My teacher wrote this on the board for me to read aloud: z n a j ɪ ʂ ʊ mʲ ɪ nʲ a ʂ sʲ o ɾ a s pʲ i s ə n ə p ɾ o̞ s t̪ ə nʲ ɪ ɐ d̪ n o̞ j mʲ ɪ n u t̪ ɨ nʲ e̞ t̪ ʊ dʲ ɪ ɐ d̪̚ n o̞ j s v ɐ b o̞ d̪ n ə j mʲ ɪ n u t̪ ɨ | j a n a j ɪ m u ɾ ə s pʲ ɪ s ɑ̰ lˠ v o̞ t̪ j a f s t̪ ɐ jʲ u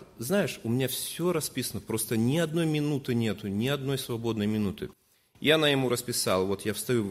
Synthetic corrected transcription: z n a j ɪ ʂ ʊ mʲ ɪ nʲ a f sʲ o ɾ ɐ s pʲ i s ə n ə p ɾ o̞ s t̪ ə nʲ ɪ ɐ d̪ n o̞ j mʲ ɪ n u t̪ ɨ nʲ e̞ t̪ ʊ nʲ ɪ ɐ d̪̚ n o̞ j s v ɐ b o̞ d̪ n ə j mʲ ɪ n u t̪ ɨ | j a n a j ɪ m u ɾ ə s pʲ ɪ s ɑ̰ lˠ v o̞ t̪ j a f s t̪ ɐ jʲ u